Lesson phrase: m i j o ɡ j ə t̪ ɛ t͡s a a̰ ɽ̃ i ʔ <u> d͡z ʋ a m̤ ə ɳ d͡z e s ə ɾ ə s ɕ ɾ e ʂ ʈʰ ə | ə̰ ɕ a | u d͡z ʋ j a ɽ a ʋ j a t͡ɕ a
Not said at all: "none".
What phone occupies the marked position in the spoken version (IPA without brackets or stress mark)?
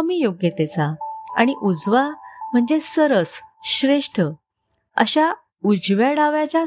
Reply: u